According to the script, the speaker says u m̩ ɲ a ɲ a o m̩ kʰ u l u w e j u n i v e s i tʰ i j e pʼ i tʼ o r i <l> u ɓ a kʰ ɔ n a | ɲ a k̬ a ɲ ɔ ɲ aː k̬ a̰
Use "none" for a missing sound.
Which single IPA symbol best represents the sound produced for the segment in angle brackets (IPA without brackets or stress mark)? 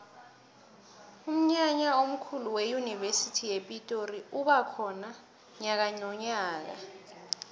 none